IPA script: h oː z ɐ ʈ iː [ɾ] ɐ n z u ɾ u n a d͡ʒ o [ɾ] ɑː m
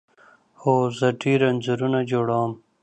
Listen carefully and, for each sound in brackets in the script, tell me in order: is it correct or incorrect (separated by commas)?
correct, incorrect